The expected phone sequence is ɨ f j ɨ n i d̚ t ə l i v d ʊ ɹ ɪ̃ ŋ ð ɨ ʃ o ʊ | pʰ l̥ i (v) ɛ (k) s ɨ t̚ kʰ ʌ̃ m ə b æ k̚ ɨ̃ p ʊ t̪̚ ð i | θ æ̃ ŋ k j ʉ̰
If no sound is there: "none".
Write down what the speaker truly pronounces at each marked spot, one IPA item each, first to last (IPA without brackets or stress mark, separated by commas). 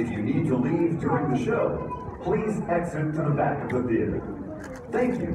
z, k